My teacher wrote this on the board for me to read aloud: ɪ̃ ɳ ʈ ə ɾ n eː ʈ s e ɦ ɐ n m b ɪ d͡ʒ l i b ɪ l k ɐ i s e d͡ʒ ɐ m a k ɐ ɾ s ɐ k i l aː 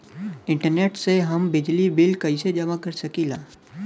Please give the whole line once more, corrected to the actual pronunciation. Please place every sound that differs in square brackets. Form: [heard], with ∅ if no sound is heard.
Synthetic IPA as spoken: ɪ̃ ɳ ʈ ə ɾ n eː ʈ s e ɦ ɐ [∅] m b ɪ d͡ʒ l i b ɪ l k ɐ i s e d͡ʒ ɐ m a k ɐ ɾ s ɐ k i l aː

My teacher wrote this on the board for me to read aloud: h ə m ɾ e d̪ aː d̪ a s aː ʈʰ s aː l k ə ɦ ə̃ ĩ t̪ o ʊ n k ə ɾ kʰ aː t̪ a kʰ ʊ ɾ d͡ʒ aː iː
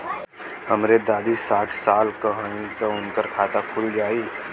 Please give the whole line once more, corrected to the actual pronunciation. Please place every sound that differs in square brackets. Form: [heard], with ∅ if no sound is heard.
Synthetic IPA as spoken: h ə m ɾ e d̪ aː d̪ [i] s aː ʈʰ s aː l k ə ɦ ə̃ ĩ t̪ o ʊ n k ə ɾ kʰ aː t̪ a kʰ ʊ [l] d͡ʒ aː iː

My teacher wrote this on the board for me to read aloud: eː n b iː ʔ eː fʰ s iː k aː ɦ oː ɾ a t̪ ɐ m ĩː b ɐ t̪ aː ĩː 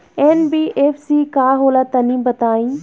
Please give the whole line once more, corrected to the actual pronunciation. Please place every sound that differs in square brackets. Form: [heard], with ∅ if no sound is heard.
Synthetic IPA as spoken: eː n b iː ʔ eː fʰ s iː k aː ɦ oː [l] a t̪ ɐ [n] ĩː b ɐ t̪ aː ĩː

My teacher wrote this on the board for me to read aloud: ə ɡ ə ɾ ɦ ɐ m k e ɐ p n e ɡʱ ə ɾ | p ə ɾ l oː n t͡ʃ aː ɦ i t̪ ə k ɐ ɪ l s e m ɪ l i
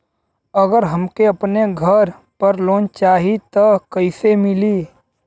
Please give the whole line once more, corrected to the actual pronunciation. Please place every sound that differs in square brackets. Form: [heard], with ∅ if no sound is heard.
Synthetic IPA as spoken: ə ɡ ə ɾ ɦ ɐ m k e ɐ p n e ɡʱ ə ɾ | p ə ɾ l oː n t͡ʃ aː ɦ i t̪ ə k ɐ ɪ [∅] s e m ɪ l i

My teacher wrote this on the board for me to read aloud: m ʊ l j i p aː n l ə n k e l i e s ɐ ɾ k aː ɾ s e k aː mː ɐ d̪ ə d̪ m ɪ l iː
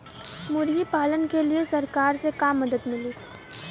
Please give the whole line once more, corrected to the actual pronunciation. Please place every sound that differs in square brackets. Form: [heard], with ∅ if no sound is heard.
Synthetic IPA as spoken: m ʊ [ɾ] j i p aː [∅] l ə n k e l i e s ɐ ɾ k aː ɾ s e k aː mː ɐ d̪ ə d̪ m ɪ l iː

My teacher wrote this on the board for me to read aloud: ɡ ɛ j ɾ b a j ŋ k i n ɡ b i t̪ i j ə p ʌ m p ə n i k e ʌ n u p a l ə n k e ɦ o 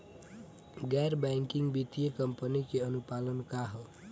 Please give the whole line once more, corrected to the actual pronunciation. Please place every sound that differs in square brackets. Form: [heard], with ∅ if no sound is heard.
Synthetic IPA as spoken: ɡ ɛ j ɾ b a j ŋ k i [ŋ] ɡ b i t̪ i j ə [k] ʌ m p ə n i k e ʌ n u p a l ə n k [a] ɦ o

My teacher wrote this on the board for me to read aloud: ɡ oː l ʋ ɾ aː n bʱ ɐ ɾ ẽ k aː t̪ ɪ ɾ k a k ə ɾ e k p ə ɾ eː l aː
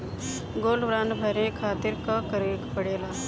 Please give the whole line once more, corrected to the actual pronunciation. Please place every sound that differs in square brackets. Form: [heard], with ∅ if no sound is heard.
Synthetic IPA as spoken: ɡ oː l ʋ ɾ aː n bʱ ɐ ɾ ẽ [kʰ] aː t̪ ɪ ɾ k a k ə ɾ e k p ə [ɽ] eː l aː

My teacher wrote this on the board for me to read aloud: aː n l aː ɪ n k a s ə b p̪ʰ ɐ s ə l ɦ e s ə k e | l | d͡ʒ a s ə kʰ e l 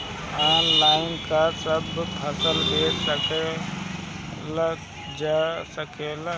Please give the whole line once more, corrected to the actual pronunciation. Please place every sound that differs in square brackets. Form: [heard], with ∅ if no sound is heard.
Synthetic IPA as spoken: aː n l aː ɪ n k a s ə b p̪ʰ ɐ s ə l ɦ e s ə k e | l | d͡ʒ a s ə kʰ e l

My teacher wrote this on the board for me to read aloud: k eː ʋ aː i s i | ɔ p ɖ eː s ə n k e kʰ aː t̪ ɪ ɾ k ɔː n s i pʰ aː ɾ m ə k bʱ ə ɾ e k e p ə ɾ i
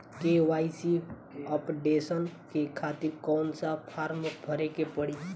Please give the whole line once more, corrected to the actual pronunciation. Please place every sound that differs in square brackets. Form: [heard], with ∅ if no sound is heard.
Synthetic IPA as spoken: k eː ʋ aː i s i | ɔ p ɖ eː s ə n k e kʰ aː t̪ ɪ ɾ k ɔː n s [a] pʰ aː ɾ m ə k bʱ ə ɾ e k e p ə [ɽ] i

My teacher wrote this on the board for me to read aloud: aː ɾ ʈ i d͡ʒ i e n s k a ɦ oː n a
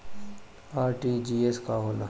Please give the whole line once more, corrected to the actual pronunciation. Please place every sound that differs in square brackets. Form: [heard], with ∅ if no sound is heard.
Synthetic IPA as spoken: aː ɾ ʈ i d͡ʒ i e [∅] s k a ɦ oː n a

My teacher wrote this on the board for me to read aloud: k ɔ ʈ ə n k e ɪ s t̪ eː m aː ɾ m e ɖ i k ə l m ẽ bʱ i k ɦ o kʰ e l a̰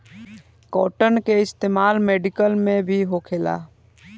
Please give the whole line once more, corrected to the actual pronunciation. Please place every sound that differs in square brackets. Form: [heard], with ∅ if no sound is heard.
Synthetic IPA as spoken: k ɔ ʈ ə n k e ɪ s t̪ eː m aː [l] m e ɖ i k ə l m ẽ bʱ i [∅] ɦ o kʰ e l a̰

